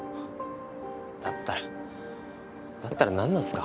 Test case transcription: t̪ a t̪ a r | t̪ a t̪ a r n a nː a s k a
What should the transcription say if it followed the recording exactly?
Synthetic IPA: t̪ a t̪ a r | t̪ a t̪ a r n a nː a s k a